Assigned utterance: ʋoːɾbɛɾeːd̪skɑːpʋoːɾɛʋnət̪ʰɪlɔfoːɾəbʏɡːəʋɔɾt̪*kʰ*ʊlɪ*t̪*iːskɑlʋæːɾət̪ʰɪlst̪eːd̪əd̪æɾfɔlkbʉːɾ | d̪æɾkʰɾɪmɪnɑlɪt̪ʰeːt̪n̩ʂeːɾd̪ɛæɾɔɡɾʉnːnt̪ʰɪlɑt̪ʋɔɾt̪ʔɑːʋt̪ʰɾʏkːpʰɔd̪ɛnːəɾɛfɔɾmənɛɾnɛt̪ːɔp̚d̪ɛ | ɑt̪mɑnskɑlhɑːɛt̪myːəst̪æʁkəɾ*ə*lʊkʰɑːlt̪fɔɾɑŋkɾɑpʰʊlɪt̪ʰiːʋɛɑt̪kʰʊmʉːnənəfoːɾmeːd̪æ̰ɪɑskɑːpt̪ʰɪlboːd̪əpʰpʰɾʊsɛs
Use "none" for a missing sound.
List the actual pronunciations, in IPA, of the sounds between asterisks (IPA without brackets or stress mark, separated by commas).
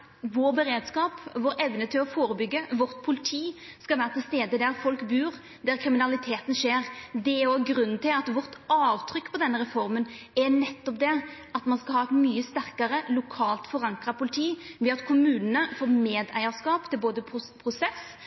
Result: pʰ, t̪ʰ, ə